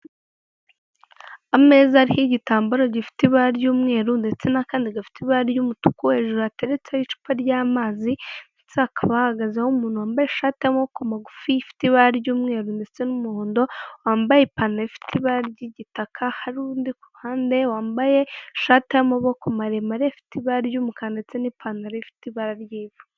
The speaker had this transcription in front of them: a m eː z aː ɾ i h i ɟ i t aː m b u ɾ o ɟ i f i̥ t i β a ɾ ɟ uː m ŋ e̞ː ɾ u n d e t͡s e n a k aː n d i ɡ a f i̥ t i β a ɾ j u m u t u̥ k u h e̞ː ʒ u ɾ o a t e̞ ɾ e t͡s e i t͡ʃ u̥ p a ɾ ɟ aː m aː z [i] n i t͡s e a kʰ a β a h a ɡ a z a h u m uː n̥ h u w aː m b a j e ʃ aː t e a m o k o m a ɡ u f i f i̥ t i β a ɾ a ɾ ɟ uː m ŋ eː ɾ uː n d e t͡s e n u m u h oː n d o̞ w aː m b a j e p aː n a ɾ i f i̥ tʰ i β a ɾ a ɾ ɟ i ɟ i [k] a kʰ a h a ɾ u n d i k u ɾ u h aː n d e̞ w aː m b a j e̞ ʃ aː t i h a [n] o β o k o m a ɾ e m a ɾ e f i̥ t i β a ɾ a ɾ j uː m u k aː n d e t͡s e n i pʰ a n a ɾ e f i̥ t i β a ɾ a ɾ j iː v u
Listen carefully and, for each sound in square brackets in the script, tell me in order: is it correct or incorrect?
correct, incorrect: t, incorrect: m

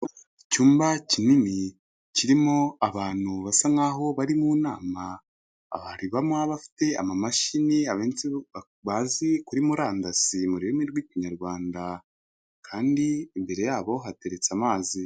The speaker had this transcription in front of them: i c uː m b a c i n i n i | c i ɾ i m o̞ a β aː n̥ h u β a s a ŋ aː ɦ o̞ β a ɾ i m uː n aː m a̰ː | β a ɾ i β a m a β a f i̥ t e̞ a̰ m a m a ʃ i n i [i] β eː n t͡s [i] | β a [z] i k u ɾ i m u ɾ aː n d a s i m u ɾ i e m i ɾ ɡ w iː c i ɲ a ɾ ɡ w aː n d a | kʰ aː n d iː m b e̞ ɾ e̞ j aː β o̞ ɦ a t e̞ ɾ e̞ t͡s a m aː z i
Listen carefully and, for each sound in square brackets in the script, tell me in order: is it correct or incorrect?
incorrect: a, correct, correct

